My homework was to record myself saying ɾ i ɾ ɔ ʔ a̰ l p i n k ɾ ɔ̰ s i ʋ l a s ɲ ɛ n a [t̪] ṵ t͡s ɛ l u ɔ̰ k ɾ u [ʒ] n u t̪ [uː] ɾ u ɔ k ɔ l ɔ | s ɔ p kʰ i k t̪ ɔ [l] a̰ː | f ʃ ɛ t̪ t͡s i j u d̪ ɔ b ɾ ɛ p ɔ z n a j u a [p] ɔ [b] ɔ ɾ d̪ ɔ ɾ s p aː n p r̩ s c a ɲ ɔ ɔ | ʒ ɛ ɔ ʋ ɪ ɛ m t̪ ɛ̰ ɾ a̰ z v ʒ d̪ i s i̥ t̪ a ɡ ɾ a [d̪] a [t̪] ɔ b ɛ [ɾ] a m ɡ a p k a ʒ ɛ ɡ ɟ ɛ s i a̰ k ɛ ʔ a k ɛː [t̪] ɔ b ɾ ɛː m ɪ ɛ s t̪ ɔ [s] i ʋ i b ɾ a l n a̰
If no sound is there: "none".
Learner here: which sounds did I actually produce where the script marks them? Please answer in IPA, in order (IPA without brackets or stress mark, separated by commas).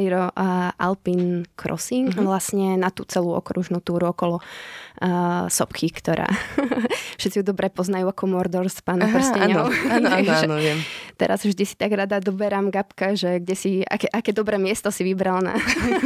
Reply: t̪, ʒ, uː, ɾ, k, m, d̪, d̪, ɾ, d̪, s